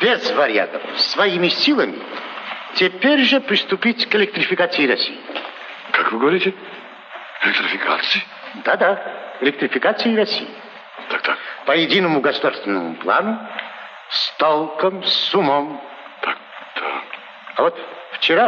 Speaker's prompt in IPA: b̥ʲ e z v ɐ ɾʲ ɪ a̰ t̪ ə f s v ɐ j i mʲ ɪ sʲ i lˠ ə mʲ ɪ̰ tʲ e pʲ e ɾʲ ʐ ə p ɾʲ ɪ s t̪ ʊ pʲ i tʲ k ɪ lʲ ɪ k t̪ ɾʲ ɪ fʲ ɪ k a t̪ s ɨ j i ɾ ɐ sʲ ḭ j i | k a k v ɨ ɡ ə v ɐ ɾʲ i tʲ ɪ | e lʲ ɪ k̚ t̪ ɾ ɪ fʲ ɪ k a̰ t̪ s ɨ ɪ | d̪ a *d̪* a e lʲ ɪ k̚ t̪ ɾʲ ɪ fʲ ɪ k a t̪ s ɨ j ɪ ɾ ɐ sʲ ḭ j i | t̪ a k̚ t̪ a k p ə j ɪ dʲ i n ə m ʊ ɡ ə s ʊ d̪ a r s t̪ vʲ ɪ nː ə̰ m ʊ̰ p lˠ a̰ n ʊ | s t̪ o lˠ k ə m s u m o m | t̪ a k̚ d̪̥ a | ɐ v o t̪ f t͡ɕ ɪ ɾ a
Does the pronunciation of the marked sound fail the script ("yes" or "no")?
no